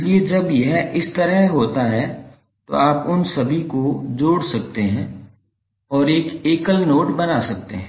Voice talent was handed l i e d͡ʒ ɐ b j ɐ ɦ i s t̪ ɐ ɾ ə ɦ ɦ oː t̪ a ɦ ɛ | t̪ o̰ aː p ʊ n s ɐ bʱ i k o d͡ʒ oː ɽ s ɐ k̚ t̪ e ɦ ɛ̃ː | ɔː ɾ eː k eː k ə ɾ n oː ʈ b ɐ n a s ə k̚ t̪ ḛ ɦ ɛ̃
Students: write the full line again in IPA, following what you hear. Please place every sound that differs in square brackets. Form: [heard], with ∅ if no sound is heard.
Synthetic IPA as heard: l i e d͡ʒ ɐ b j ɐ ɦ [ɪ] s t̪ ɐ ɾ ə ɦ ɦ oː t̪ a ɦ ɛ | t̪ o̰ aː p ʊ n s ɐ bʱ i k o d͡ʒ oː ɽ s ɐ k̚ t̪ e ɦ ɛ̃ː | ɔː ɾ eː k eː k ə [l] n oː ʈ b ɐ n a s [ɐ] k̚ t̪ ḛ ɦ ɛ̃